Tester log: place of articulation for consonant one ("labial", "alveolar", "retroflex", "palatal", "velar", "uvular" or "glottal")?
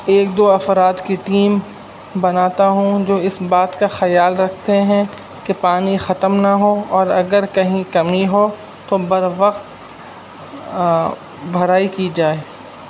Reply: velar